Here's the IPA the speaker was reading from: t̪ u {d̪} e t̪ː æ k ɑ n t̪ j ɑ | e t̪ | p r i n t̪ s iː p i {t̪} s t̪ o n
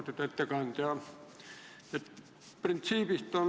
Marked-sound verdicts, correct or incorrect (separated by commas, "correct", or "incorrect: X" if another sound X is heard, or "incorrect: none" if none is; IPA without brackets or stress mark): incorrect: t̪, incorrect: none